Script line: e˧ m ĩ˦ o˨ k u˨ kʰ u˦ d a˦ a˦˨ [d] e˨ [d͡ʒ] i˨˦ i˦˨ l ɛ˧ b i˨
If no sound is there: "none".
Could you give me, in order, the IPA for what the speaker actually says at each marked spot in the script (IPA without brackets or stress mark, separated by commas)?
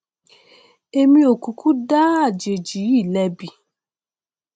d͡ʒ, d͡ʒ